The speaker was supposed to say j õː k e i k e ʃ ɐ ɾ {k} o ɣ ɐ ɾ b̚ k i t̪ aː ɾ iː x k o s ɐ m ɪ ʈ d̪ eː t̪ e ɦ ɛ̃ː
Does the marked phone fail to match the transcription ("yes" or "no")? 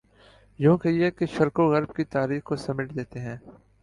no